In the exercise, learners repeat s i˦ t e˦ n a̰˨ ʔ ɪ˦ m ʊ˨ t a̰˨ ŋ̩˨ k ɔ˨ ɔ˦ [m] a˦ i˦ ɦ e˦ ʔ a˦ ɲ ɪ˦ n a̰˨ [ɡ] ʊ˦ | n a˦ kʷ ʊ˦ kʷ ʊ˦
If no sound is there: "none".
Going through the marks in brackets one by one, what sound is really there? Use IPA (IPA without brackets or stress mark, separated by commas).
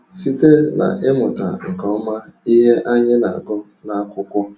m, ɡ